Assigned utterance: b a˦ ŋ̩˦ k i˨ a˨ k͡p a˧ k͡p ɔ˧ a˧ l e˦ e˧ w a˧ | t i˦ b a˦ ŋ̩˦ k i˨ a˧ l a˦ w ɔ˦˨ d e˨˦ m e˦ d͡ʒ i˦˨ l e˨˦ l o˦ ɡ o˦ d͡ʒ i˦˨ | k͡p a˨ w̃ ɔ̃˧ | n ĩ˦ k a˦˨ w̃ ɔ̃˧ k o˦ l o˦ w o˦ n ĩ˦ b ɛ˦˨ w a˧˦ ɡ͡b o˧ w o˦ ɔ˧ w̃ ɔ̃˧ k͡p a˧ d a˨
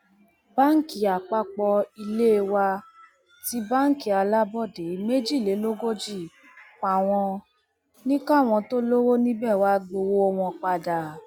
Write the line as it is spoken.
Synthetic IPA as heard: b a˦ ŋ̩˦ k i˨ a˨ k͡p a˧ k͡p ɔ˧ i˧ l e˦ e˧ w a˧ | t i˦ b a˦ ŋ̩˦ k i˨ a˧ l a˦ b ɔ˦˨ d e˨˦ m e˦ d͡ʒ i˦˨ l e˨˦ l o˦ ɡ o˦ d͡ʒ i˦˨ | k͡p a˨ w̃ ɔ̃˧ | n ĩ˦ k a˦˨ w̃ ɔ̃˧ t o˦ l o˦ w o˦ n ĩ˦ b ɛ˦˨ w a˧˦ ɡ͡b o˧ w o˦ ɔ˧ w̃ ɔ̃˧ k͡p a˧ d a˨